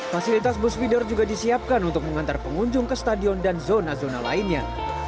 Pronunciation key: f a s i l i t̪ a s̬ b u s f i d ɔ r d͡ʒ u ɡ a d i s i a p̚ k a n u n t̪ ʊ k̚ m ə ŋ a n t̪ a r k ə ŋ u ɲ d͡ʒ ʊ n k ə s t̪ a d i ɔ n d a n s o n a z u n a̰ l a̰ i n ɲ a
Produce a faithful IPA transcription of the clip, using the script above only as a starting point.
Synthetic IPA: f a s i l i t̪ a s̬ b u s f i d ɔ r d͡ʒ u ɡ a d i s i a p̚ k a n u n t̪ ʊ k̚ m ə ŋ a n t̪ a r p ə ŋ u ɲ d͡ʒ ʊ ŋ k ə s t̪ a d i ɔ n d a n z o n a z o n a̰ l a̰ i n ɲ a